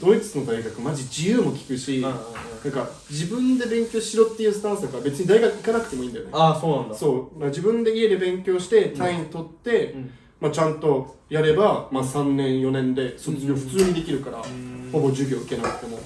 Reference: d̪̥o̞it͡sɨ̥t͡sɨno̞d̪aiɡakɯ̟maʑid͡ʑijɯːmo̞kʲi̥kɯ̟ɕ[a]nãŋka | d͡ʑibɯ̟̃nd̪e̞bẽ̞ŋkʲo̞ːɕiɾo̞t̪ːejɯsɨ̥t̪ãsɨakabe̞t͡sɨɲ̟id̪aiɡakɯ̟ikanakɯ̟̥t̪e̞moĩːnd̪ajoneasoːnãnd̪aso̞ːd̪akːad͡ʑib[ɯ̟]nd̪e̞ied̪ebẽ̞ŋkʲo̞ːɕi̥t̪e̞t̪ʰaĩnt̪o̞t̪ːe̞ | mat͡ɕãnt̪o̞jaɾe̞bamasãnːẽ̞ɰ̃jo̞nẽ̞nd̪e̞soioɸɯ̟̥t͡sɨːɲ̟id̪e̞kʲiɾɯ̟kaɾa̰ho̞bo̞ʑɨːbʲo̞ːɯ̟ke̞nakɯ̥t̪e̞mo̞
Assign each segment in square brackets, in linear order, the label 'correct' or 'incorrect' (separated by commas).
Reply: incorrect, incorrect